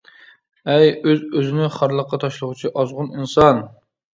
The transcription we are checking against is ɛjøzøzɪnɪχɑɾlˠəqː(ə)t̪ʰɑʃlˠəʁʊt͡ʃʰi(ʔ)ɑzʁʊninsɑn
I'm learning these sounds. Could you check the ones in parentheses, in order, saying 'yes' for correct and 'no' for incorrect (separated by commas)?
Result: no, yes